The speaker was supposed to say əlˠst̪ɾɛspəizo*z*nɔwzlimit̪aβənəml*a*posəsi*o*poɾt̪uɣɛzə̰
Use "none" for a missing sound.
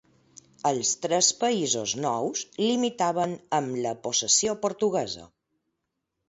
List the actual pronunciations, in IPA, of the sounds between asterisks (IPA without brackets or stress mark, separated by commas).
z, ə, o